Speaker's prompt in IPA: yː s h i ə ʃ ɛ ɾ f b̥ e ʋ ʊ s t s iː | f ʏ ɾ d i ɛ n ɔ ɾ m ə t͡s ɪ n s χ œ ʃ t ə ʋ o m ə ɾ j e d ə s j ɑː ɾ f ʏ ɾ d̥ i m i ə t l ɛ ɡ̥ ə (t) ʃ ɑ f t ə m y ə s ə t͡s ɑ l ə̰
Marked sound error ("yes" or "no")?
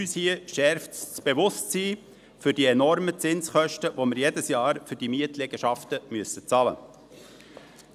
yes